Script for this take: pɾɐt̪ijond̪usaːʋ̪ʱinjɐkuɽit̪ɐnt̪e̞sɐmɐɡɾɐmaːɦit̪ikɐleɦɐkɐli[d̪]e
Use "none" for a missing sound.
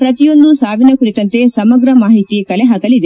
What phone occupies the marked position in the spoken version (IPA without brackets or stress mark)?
d̪